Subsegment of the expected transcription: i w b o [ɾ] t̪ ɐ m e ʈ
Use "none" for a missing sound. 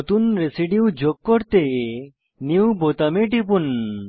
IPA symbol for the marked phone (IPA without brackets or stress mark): none